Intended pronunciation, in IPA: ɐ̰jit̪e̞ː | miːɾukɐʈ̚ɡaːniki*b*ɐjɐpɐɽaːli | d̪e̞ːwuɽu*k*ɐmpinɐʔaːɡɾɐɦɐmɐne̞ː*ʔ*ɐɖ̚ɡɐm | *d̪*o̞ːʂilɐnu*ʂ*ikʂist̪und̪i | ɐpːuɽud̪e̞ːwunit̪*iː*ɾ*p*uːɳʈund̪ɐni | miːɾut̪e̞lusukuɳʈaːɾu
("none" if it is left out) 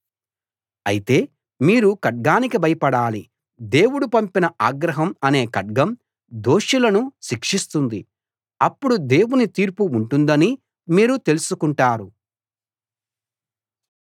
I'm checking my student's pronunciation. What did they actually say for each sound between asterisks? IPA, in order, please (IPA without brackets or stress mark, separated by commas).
b, p, k, d̪, ʃ, iː, p